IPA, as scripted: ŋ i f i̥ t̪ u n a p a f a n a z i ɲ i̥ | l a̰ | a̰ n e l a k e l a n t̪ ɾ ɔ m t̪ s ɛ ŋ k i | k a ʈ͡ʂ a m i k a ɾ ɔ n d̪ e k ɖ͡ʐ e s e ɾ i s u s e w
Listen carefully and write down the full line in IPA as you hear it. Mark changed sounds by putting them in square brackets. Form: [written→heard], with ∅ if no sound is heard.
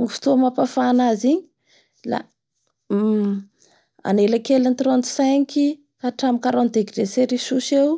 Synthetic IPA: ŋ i f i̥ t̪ u [n→m] a p a f a n a z i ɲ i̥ | l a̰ | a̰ n e l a k e l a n t̪ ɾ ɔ [m→n] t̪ s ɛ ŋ k i | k a ʈ͡ʂ a m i k a ɾ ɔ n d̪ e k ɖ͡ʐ e s e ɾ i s u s e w